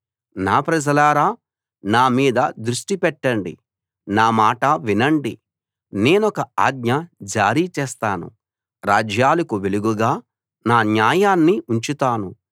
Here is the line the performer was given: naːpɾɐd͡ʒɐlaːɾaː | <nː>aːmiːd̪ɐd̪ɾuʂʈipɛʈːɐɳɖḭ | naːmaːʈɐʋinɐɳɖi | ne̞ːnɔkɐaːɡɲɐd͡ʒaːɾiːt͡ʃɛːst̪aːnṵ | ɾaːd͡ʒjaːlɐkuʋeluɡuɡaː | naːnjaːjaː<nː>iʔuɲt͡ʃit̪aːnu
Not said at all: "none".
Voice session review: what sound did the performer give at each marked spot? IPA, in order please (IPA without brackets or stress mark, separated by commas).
n, nː